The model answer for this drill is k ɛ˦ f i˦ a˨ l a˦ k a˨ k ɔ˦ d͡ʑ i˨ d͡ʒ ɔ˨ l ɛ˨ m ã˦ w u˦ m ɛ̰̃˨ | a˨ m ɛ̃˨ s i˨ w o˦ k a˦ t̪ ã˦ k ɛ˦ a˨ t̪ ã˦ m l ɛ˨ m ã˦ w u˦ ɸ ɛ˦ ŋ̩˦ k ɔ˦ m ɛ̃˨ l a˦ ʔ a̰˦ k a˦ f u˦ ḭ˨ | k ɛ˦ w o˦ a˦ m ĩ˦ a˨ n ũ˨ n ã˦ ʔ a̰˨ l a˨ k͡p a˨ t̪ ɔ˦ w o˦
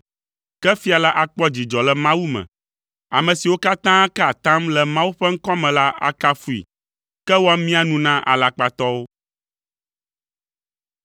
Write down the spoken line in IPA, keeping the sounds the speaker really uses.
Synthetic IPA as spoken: k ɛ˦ f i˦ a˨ l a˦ ʔ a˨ k͡p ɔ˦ d͡ʑ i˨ d͡ʒ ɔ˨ l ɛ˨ m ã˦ w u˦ m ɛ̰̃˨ | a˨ m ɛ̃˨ s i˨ w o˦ k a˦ t̪ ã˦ k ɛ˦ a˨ t̪ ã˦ m l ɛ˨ m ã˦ w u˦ ɸ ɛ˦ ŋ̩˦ k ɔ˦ m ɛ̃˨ l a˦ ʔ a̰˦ k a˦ f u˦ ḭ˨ | k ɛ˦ w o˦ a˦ m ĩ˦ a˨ n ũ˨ n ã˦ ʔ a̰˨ l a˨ k͡p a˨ t̪ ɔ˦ w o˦